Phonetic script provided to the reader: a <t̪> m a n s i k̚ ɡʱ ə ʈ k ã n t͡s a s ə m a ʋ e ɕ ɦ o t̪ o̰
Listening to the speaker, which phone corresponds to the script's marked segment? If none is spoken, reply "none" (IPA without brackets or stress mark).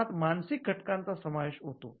t̪